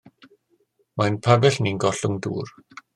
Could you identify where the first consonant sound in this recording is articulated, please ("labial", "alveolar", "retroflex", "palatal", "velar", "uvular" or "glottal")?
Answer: labial